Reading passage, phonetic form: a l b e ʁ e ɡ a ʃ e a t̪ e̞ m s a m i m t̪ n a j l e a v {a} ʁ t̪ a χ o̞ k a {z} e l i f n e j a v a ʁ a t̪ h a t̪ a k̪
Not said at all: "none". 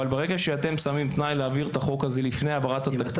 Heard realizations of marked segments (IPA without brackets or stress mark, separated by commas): i, z